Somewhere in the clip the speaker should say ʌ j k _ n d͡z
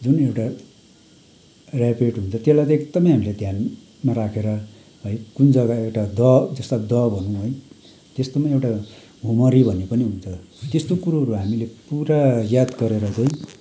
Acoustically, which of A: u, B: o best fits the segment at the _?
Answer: A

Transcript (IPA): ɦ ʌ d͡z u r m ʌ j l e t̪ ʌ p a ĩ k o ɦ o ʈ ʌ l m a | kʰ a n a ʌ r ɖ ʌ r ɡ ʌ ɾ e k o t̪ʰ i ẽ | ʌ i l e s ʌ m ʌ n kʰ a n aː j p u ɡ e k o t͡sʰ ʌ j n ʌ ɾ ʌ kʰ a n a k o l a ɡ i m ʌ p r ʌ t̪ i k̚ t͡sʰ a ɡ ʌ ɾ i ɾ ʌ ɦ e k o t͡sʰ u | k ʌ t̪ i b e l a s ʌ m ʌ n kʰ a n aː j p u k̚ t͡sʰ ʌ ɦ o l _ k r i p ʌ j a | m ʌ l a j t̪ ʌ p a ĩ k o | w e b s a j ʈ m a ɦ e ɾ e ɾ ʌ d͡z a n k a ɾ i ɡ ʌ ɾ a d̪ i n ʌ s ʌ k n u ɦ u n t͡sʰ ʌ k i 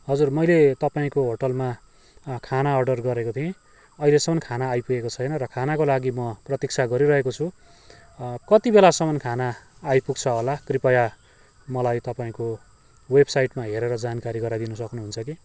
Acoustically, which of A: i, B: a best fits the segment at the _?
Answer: B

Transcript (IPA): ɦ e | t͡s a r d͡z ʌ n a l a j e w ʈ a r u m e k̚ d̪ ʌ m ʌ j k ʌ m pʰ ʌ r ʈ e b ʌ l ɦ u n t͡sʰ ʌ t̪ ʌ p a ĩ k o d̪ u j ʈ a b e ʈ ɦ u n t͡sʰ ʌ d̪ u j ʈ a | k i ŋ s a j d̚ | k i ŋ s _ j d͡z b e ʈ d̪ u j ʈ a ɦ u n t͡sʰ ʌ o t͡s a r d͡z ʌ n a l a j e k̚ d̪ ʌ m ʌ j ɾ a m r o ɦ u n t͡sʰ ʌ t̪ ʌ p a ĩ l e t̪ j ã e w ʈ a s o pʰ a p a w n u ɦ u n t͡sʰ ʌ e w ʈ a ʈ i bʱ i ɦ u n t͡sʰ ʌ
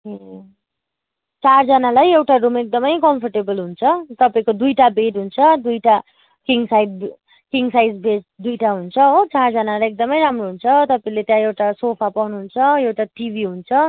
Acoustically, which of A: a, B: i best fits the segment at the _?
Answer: A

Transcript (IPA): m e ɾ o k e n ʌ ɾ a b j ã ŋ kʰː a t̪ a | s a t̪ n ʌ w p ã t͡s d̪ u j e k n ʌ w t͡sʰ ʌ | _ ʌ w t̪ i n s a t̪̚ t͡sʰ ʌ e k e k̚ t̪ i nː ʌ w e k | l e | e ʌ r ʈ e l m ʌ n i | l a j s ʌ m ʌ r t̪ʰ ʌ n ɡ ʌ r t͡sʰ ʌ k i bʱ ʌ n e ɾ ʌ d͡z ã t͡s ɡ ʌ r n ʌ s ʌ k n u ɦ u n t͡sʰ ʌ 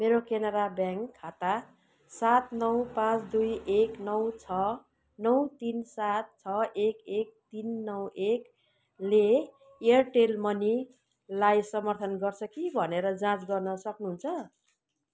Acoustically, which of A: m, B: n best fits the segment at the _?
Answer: B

